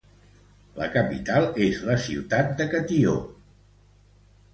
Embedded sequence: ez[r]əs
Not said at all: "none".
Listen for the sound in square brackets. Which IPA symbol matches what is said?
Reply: l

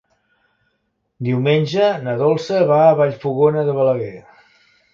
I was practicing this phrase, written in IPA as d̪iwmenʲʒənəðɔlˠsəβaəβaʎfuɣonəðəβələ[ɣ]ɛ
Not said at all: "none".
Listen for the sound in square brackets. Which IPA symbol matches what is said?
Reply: ɣ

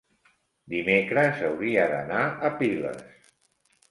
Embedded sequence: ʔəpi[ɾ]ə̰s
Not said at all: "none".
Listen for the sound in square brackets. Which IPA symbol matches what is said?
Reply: l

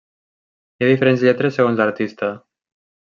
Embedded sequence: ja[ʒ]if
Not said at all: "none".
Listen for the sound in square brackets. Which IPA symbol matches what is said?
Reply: ð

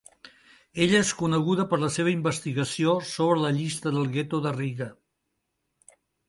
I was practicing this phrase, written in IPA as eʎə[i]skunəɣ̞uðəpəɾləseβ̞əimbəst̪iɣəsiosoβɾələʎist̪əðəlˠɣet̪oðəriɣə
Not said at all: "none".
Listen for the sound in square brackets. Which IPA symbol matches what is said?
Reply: e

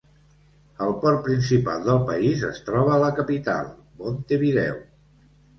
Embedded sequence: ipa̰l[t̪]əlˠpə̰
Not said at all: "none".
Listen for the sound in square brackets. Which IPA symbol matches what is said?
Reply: d̪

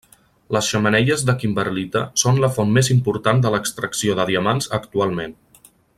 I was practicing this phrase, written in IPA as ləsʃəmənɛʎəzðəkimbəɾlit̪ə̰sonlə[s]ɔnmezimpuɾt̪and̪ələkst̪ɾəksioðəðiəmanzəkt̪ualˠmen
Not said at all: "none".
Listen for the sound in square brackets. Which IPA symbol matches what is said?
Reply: f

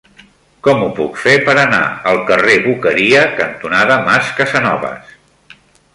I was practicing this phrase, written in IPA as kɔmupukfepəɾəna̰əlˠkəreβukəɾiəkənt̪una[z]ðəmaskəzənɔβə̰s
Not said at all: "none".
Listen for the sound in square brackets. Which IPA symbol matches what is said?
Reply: none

